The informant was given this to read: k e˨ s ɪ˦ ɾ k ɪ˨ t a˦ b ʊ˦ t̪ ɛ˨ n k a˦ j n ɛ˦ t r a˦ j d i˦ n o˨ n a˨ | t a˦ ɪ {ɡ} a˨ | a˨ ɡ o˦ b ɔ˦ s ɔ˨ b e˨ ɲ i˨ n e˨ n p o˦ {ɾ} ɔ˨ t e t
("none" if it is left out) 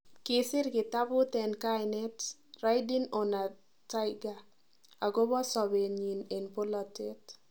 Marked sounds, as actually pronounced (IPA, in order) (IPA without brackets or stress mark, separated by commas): ɡ, l